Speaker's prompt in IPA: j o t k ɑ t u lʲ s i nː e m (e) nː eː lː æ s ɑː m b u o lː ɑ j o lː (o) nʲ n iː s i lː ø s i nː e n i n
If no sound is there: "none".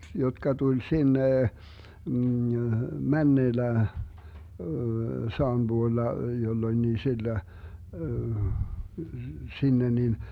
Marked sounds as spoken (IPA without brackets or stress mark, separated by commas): æ, o